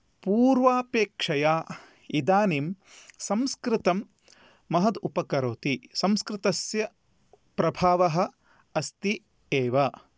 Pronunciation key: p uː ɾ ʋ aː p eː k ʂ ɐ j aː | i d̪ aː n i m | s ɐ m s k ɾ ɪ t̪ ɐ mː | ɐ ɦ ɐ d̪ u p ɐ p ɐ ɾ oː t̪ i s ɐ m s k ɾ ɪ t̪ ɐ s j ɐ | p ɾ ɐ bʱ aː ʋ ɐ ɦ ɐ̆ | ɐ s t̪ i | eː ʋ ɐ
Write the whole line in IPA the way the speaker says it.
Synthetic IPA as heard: p uː ɾ ʋ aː p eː k ʂ ɐ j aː | i d̪ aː n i m | s ɐ m s k ɾ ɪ t̪ ɐ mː | ɐ ɦ ɐ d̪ u p ɐ k ɐ ɾ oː t̪ i s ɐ m s k ɾ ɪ t̪ ɐ s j ɐ | p ɾ ɐ bʱ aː ʋ ɐ ɦ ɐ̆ | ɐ s t̪ i | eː ʋ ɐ